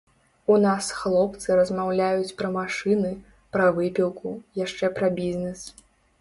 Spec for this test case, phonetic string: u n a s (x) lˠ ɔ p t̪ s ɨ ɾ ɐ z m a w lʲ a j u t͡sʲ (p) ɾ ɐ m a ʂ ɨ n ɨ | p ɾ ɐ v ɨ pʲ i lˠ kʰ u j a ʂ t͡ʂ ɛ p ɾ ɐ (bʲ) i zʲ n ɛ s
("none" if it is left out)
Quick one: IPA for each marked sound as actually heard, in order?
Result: x, p, bʲ

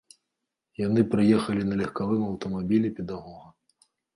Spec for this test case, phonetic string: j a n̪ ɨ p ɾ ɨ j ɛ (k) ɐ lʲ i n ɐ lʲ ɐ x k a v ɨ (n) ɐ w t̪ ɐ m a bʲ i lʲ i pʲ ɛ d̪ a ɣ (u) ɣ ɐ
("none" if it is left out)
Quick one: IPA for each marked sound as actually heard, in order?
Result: x, m, ɔ

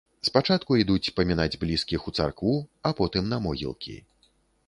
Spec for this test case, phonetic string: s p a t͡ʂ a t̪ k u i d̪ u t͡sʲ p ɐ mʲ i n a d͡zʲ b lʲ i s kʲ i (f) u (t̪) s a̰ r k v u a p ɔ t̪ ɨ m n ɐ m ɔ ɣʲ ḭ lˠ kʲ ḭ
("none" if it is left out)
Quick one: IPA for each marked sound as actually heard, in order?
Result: x, t̪

